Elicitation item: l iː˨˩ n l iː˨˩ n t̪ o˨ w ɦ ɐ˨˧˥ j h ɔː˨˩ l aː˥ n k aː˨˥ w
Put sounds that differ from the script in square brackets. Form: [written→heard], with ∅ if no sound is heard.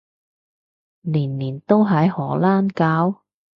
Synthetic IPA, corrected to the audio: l iː˨˩ n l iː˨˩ n t̪ [o˨→o˥] w ɦ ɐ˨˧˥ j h ɔː˨˩ l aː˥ n k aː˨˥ w